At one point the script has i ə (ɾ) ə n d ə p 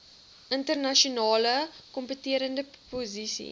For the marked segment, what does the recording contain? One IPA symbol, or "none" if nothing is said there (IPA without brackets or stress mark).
ɾ